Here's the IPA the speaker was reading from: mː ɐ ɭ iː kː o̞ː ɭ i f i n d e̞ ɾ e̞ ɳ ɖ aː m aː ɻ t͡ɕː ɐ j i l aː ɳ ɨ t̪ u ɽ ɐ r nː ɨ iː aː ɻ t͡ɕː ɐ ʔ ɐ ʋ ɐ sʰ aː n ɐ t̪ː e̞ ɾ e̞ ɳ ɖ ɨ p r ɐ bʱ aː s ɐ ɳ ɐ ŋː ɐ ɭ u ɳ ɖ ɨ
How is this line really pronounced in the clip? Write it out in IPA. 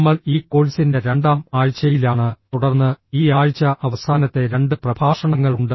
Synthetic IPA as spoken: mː ɐ ɭ iː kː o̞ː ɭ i s i n d e̞ ɾ e̞ ɳ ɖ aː m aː ɻ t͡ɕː ɐ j i l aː ɳ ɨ t̪ u ɽ ɐ r nː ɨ iː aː ɻ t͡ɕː ɐ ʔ ɐ ʋ ɐ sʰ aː n ɐ t̪ː e̞ ɾ e̞ ɳ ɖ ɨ p r ɐ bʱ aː ʂ ɐ ɳ ɐ ŋː ɐ ɭ u ɳ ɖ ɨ